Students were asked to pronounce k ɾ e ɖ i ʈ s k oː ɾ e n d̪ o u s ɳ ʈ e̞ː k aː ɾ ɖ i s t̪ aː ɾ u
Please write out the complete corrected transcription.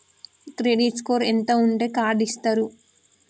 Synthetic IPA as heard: k ɾ e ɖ i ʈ s k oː ɾ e n t̪ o u ɳ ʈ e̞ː k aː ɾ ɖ i s t̪ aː ɾ u